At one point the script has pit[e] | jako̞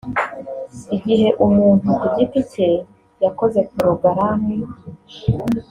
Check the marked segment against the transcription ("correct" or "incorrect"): correct